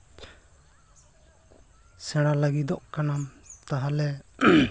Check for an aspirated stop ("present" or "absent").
absent